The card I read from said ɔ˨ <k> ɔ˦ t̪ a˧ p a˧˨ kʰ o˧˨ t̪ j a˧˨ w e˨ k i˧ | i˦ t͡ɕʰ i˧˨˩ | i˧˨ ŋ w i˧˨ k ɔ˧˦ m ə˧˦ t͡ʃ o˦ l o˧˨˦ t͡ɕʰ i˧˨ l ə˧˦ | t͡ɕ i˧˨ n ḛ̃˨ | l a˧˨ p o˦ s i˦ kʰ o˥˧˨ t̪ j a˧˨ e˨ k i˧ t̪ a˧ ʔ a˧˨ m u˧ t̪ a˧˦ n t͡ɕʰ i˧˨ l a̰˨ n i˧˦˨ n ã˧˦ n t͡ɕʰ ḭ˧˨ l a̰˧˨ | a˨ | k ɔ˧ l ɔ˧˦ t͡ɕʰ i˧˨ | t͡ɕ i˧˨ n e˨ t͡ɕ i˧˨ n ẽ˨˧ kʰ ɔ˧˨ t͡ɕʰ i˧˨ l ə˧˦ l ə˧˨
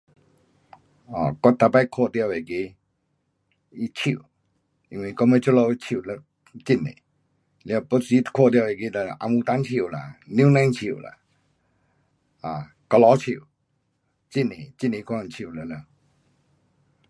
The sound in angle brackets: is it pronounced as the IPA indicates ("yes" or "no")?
yes